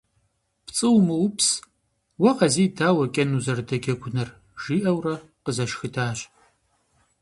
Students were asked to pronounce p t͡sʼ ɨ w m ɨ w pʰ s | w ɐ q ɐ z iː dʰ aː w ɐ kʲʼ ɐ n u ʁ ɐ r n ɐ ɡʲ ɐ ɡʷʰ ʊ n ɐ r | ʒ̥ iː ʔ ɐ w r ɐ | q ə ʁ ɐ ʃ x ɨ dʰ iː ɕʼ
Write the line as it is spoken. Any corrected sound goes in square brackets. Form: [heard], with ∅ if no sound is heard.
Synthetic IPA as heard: p t͡sʼ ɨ w m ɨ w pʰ s | w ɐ q ɐ z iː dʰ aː w ɐ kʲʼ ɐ n u [z] ɐ r [d] ɐ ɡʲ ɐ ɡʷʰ ʊ n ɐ r | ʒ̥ iː ʔ ɐ w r ɐ | q ə [z] ɐ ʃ x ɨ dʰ [aː] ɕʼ